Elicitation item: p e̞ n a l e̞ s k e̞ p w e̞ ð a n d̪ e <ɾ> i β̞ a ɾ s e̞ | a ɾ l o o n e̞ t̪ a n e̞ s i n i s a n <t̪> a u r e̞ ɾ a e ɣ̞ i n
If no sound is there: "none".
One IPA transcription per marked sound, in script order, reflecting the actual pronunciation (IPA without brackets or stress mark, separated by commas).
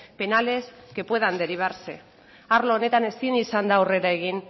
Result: ɾ, d̪